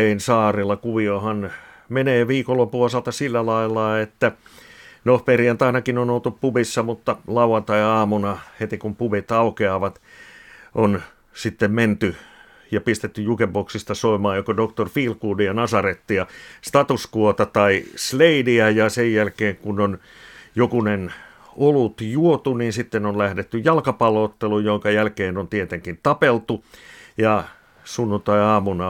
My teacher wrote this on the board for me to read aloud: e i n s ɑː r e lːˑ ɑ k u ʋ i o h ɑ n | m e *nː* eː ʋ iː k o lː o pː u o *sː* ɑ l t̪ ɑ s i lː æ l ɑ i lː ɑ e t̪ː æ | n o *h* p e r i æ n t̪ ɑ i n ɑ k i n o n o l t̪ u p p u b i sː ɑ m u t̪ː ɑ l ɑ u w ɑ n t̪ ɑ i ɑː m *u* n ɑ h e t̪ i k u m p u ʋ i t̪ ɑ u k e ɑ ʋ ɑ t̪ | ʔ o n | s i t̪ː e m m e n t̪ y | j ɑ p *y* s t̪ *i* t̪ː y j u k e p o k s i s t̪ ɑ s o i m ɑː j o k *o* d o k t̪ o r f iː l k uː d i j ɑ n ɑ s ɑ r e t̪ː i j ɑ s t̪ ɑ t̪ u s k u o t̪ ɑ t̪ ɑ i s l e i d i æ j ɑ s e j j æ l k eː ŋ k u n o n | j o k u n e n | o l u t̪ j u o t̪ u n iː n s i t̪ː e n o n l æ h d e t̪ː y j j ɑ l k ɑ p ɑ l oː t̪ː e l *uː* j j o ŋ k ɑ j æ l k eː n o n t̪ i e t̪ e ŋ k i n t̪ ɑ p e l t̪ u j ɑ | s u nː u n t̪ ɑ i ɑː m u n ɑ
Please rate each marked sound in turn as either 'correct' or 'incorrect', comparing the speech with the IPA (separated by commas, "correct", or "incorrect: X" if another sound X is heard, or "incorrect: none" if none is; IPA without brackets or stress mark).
incorrect: n, incorrect: s, correct, correct, incorrect: i, incorrect: e, correct, incorrect: u